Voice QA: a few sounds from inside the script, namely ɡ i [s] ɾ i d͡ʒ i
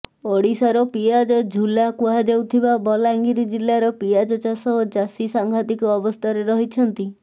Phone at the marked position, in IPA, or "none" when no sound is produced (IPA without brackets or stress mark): none